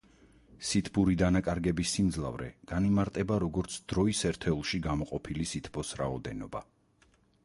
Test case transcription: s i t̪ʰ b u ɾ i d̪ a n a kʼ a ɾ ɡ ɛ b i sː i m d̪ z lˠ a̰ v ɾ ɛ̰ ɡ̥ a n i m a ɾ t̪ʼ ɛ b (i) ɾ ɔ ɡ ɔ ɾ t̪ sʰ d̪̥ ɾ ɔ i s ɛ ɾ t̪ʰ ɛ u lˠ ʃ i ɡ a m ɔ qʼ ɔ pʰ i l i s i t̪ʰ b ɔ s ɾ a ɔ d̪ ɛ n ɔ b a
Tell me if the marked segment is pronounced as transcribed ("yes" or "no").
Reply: no